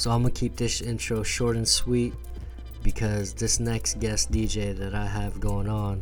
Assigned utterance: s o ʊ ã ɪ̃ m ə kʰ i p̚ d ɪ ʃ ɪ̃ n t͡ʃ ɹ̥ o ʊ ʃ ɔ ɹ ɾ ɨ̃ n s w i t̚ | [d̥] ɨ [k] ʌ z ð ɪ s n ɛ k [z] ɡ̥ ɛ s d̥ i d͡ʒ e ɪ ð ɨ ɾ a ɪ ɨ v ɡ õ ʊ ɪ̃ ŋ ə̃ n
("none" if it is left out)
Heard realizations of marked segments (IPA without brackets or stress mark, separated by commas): b̥, kʰ, s